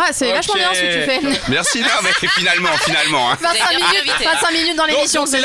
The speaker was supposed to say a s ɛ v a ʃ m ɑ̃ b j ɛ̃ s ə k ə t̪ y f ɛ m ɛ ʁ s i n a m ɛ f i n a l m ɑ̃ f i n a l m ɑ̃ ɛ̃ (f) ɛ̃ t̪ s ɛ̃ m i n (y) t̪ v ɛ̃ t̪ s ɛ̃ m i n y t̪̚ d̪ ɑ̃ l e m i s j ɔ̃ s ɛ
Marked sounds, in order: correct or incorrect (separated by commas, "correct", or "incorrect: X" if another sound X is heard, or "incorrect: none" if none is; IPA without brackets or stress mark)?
incorrect: v, correct